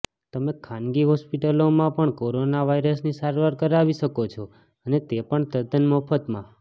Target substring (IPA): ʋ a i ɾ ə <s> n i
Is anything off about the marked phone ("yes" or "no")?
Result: no